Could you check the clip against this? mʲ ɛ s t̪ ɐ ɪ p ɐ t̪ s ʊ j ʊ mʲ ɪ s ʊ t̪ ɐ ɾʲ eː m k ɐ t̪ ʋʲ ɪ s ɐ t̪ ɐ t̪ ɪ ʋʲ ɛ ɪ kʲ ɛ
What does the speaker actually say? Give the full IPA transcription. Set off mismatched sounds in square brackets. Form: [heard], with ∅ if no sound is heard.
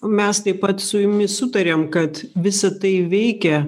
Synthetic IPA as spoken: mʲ ɛ s t̪ ɐ ɪ p ɐ t̪ s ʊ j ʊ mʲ ɪ s ʊ t̪ ɐ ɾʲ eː m k ɐ t̪ ʋʲ ɪ s ɐ t̪ ɐ [∅] ɪ ʋʲ ɛ ɪ kʲ ɛ

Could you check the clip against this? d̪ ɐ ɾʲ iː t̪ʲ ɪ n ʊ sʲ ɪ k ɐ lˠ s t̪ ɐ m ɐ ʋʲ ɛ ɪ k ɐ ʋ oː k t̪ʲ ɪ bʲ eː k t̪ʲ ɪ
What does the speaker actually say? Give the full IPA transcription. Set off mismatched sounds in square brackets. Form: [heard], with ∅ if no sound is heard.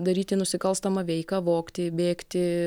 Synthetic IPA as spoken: d̪ ɐ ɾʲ iː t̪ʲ ɪ n ʊ sʲ ɪ k ɐ lˠ s t̪ ɐ m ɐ ʋʲ ɛ ɪ k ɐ ʋ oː k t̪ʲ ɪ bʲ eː k t̪ʲ ɪ

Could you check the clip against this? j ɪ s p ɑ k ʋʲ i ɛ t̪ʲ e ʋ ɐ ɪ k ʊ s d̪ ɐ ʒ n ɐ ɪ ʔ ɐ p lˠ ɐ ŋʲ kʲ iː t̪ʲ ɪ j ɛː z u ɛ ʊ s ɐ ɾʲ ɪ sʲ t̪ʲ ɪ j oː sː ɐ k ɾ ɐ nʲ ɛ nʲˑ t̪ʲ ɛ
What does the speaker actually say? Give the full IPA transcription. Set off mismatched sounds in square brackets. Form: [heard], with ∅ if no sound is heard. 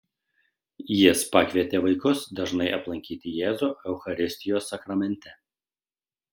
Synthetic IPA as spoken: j ɪ s p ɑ k ʋʲ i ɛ t̪ʲ e ʋ ɐ ɪ k ʊ s d̪ ɐ ʒ n ɐ ɪ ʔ ɐ p lˠ ɐ ŋʲ kʲ iː t̪ʲ ɪ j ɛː z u ɛ ʊ [x] ɐ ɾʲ ɪ sʲ t̪ʲ ɪ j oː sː ɐ k ɾ ɐ [mʲ] ɛ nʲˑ t̪ʲ ɛ

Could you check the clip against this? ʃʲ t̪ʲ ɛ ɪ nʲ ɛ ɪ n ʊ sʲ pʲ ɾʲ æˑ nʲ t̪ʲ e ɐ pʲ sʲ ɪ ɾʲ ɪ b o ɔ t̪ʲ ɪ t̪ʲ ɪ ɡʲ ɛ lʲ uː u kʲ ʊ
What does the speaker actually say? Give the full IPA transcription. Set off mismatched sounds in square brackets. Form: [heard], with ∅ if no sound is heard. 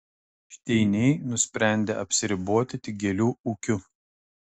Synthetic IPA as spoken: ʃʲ t̪ʲ ɛ ɪ nʲ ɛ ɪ n ʊ sʲ pʲ ɾʲ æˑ nʲ [d̪ʲ] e ɐ pʲ sʲ ɪ ɾʲ ɪ b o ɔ t̪ʲ ɪ t̪ʲ ɪ ɡʲ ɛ lʲ uː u kʲ ʊ

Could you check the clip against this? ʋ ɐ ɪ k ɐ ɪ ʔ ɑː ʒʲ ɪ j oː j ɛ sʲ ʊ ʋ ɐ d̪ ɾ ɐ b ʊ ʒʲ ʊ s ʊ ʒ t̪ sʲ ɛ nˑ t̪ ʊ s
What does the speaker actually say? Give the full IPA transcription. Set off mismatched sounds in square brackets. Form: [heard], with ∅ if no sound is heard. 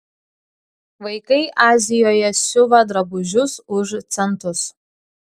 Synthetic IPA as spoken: ʋ ɐ ɪ k ɐ ɪ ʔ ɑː [zʲ] ɪ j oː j ɛ sʲ ʊ ʋ ɐ d̪ ɾ ɐ b ʊ ʒʲ ʊ s ʊ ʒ t̪ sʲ ɛ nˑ t̪ ʊ s

